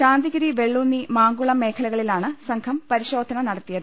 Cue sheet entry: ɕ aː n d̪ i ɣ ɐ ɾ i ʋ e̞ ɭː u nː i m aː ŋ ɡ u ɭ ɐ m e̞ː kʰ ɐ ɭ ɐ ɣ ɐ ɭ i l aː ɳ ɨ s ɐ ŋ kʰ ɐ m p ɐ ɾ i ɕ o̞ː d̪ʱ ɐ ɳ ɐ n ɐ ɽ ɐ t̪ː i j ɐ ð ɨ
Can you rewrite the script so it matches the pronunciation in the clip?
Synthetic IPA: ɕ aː n d̪ i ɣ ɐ ɾ i ʋ e̞ ɭː u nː i m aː ŋ ɡ u ɭ ɐ m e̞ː kʰ ɐ l ɐ ɣ ɐ ɭ i l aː ɳ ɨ s ɐ ŋ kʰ ɐ m p ɐ ɾ i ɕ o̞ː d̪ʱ ɐ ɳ ɐ n ɐ ɽ ɐ t̪ː i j ɐ ð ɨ